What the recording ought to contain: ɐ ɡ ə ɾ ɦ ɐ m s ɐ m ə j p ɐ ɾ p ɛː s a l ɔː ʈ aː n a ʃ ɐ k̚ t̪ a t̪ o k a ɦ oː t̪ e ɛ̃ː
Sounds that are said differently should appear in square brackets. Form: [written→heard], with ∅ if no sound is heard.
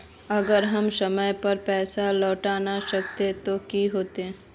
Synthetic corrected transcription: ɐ ɡ ə ɾ ɦ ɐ m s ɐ m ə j p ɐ ɾ p ɛː s a l ɔː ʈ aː n a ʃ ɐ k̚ t̪ [a→e] t̪ o k [a→i] ɦ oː t̪ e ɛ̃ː